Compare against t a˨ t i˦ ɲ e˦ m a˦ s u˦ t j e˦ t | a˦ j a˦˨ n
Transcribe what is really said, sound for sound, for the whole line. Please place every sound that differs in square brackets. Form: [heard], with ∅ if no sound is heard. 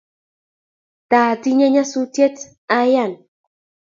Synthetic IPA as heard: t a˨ t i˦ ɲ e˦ [ɲ] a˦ s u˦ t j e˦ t | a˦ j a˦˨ n